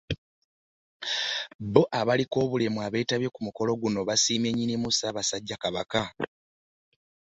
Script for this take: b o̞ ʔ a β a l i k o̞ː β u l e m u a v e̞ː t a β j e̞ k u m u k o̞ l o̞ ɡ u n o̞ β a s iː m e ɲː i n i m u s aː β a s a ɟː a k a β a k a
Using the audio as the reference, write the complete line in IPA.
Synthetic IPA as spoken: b o̞ ʔ a β a l i k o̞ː β u l e m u a β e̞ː t a β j e̞ k u m u k o̞ l o̞ ɡ u n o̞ β a s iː m e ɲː i n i m u s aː β a s a ɟː a k a β a k a